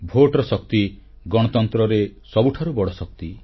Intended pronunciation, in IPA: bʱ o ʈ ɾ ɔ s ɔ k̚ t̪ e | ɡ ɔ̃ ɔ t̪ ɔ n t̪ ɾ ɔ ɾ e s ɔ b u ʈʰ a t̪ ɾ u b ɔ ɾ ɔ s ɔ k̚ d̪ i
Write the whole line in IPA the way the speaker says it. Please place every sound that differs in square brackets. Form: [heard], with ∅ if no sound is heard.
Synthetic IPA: bʱ o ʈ ɾ ɔ s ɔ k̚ t̪ [i] | ɡ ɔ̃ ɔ t̪ ɔ n t̪ ɾ ɔ ɾ e s ɔ b u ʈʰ a [∅] ɾ u b ɔ [ɽ] ɔ s ɔ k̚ [t̪] i